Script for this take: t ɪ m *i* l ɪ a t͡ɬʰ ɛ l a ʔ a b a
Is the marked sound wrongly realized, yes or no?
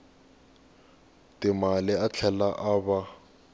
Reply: yes